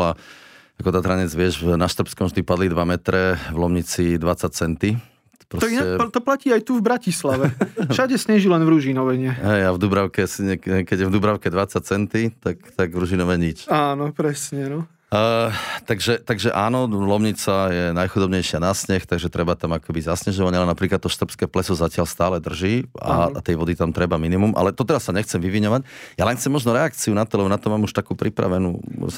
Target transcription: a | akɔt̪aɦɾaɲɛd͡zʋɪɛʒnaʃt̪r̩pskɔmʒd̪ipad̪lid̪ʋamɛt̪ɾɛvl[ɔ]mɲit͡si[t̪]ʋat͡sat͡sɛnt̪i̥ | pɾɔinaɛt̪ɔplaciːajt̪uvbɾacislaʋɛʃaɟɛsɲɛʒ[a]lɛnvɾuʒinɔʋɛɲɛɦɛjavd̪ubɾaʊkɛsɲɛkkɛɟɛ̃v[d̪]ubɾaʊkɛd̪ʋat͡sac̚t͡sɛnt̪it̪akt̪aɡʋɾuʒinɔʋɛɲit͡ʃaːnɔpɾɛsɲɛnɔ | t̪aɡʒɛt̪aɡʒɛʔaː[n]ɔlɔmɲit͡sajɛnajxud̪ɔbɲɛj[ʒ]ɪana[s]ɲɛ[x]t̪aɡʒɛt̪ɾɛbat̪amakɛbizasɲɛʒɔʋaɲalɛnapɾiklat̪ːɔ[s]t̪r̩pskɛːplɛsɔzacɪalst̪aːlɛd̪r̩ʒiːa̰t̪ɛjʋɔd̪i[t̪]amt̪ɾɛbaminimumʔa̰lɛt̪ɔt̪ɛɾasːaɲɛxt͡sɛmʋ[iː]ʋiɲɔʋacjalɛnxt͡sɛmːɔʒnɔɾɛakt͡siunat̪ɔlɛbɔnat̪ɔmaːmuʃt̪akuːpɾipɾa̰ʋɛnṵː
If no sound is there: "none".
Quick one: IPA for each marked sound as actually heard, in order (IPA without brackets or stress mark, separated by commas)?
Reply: ɔ, d̪, i, d̪, n, ʃ, s, x, ʃ, t̪, i